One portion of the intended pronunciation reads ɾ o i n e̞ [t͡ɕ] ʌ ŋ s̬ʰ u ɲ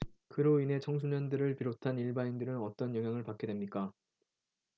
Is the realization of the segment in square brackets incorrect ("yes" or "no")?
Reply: yes